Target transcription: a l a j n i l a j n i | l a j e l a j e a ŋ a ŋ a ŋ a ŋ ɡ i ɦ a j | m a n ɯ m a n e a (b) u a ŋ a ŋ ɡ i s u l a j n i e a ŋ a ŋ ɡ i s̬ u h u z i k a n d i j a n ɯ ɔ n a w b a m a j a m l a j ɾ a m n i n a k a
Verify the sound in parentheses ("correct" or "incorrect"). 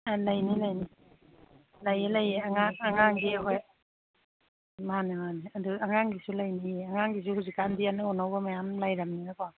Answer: incorrect